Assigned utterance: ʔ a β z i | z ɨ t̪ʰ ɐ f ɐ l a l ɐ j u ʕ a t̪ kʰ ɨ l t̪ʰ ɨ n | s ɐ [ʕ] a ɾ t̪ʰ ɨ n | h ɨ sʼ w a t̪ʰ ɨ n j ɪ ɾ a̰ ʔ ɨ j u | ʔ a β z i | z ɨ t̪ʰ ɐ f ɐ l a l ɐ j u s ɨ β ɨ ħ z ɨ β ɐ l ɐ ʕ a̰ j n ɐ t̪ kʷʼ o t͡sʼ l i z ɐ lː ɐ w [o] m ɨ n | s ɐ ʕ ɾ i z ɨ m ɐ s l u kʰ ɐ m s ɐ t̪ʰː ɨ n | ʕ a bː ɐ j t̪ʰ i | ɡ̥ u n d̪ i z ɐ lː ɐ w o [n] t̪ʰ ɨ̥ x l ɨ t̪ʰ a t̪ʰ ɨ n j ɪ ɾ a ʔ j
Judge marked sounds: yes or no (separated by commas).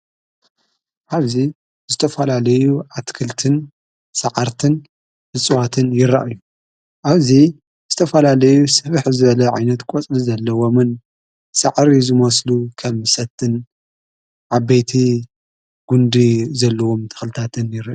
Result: yes, yes, no